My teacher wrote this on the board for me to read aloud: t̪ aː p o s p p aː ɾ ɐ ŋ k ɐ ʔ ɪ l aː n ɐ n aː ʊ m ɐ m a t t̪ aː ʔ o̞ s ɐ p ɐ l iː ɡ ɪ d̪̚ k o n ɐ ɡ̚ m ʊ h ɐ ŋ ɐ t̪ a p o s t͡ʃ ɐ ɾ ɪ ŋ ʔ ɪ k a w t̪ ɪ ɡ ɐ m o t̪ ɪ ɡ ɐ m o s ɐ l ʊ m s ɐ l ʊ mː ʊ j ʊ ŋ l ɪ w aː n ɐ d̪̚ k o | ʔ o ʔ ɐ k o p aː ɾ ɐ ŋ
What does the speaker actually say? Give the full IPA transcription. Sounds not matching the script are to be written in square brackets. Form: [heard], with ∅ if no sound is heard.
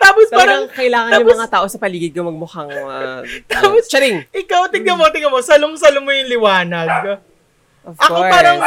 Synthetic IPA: t̪ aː p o s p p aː ɾ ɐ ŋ k ɐ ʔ ɪ l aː [ŋ] ɐ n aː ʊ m ɐ [ŋ] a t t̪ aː ʔ o̞ s ɐ p ɐ l iː ɡ ɪ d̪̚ k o [m] ɐ ɡ̚ m ʊ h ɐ ŋ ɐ t̪ a p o s t͡ʃ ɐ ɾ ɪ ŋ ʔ ɪ k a w t̪ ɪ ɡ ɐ m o t̪ ɪ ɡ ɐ m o s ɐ l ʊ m s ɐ l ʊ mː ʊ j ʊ ŋ l ɪ w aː n ɐ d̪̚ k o | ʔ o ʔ ɐ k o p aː ɾ ɐ ŋ